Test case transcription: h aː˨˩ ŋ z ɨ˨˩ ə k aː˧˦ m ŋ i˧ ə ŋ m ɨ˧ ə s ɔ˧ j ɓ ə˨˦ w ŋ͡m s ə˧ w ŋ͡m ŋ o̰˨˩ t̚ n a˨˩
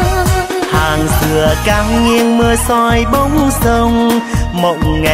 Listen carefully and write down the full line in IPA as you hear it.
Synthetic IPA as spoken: h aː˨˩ ŋ z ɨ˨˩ ə k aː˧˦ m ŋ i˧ ə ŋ m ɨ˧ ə s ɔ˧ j ɓ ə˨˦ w ŋ͡m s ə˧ w ŋ͡m m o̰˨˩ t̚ ŋ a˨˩

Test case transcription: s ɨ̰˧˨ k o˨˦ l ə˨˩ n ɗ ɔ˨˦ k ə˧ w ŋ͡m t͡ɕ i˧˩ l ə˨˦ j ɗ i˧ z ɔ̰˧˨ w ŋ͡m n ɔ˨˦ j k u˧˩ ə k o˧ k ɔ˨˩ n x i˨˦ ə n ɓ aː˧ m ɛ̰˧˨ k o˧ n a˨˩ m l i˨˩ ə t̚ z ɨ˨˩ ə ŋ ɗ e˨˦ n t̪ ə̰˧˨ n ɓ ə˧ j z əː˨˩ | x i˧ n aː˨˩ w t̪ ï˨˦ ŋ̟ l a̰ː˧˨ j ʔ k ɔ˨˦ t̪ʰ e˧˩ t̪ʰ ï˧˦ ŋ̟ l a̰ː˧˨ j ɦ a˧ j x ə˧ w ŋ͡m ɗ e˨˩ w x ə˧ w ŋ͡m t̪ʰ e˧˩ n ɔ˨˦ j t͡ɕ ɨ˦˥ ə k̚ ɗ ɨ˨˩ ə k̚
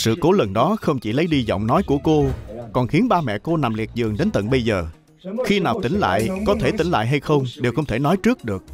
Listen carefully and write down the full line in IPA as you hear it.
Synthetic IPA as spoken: s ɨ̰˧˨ k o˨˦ l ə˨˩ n ɗ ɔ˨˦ x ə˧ w ŋ͡m t͡ɕ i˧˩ l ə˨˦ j ɗ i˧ z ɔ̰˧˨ w ŋ͡m n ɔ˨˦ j k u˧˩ ə k o˧ k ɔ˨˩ n x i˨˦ ə n ɓ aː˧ m ɛ̰˧˨ k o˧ n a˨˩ m l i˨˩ ə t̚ z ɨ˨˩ ə ŋ ɗ e˨˦ n t̪ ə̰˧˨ n ɓ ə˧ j z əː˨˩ | x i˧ n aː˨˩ w t̪ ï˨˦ ŋ̟ l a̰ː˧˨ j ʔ k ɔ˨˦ t̪ʰ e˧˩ t̪ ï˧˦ ŋ̟ l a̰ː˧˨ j ɦ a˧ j x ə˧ w ŋ͡m ɗ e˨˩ w x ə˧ w ŋ͡m t̪ʰ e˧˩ n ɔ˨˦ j t͡ɕ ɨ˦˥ ə k̚ ɗ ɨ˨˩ ə k̚

